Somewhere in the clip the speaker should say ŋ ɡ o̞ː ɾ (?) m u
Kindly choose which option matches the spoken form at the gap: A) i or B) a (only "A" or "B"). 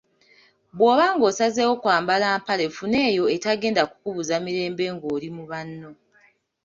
A